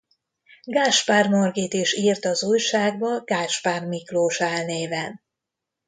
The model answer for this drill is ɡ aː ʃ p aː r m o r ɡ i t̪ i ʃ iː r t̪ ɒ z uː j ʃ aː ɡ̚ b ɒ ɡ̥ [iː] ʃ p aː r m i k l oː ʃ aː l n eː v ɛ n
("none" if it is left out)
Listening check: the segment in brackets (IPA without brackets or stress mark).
aː